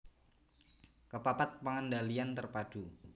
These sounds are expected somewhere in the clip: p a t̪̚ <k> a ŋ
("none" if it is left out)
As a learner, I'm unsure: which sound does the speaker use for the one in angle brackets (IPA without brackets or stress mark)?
p